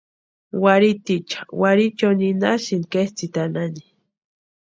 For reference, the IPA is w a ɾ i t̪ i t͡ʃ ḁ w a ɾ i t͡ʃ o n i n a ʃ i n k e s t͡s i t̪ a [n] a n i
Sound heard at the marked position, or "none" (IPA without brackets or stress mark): n